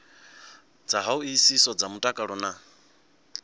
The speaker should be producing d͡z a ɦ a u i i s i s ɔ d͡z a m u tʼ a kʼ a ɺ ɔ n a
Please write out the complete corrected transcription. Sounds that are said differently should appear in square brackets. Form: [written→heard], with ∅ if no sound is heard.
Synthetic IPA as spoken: d͡z a ɦ a u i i s i s ɔ d͡z a m u tʼ a kʼ a ɺ ɔ n a